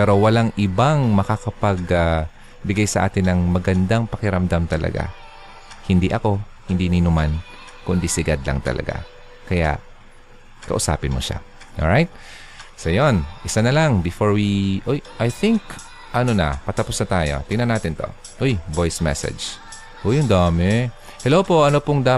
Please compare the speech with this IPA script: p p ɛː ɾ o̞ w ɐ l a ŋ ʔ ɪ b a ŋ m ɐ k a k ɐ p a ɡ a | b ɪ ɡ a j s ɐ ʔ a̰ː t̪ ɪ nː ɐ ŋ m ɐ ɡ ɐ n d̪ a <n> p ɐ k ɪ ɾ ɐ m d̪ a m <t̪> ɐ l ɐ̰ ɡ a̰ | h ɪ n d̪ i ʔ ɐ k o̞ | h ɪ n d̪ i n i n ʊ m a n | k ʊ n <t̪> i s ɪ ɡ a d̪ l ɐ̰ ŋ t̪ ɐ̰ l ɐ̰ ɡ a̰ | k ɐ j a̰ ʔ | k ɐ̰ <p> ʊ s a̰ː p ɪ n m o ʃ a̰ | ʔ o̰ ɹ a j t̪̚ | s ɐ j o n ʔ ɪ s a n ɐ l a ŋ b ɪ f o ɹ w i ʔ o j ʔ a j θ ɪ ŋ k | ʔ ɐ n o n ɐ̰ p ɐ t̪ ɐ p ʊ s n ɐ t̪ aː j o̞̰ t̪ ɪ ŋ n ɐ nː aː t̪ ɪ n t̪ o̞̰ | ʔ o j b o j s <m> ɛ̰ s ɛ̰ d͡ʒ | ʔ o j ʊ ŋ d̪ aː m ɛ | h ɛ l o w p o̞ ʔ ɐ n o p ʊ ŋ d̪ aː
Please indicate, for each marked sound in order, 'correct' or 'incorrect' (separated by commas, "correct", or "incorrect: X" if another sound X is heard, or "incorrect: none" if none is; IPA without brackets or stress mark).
incorrect: ŋ, correct, incorrect: d̪, incorrect: ʔ, correct